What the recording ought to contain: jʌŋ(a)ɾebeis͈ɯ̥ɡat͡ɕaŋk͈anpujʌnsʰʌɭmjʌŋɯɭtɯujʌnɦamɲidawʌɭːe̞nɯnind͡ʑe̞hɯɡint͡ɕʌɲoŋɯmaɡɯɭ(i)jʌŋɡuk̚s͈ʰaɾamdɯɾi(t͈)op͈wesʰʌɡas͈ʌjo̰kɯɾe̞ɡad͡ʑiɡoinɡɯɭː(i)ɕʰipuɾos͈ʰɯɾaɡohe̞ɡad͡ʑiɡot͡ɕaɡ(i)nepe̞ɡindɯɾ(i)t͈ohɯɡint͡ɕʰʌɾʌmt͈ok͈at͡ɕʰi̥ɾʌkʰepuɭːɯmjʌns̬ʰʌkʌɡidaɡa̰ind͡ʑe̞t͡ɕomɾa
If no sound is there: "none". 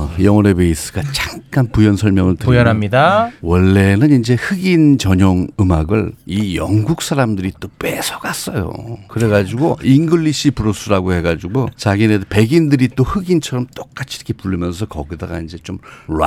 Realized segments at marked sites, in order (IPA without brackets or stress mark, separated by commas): ʌ, i, t͈, i, i, i